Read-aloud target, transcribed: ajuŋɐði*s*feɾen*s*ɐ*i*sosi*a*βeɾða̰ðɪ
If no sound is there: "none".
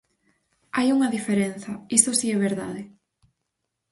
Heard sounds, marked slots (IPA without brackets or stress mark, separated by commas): none, θ, i, ɛ